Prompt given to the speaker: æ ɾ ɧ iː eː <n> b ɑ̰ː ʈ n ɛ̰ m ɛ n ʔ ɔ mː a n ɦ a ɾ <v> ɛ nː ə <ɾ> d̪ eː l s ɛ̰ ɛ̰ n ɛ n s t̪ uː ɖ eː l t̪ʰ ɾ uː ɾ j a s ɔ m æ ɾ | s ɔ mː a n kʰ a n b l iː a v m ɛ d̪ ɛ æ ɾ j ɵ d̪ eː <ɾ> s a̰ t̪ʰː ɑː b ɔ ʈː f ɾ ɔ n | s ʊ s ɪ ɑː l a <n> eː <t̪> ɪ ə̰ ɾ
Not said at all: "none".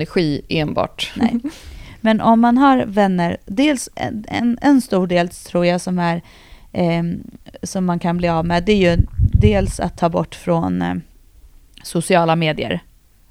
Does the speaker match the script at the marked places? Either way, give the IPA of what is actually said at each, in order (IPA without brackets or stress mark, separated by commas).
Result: n, v, ɾ, l, m, d̪